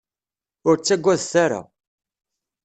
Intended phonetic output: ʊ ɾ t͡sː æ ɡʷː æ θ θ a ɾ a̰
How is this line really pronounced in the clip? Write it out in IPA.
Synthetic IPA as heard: ʊ ɾ t͡sː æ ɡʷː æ ð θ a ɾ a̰